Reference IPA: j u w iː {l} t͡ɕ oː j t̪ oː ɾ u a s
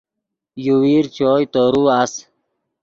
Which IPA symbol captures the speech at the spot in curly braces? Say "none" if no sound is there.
ɾ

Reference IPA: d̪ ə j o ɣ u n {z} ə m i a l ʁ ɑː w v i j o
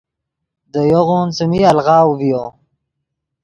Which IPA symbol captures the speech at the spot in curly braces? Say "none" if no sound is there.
s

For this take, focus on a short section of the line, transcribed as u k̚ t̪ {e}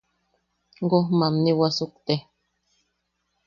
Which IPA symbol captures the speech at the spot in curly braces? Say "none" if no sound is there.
e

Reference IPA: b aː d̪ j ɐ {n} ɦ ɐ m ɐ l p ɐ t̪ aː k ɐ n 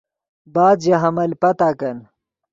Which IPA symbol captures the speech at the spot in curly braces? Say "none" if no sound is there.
none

